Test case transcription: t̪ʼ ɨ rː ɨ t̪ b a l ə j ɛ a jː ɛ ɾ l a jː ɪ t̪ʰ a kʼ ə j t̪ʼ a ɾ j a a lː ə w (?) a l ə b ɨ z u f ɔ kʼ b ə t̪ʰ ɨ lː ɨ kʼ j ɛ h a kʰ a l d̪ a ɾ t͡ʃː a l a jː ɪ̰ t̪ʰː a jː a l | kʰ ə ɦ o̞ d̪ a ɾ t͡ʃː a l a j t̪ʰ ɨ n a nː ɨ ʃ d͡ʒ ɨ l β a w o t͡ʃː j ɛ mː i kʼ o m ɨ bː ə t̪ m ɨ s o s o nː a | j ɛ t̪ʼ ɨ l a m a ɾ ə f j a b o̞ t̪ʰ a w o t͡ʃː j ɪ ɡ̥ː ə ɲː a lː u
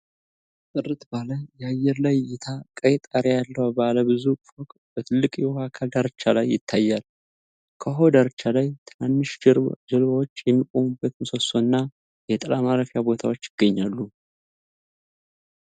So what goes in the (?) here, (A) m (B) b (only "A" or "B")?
B